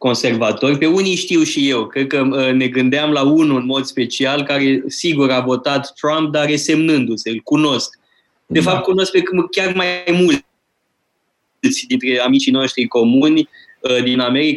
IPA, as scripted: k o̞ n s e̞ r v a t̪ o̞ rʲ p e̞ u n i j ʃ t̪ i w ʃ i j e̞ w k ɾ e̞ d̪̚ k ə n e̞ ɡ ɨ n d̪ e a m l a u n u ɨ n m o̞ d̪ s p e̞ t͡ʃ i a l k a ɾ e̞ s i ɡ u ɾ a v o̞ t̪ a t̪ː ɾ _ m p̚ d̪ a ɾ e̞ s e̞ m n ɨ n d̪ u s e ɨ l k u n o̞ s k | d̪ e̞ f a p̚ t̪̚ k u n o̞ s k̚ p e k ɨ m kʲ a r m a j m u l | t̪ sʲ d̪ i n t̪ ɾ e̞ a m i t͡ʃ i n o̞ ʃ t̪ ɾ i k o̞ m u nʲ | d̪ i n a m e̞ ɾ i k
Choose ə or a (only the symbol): a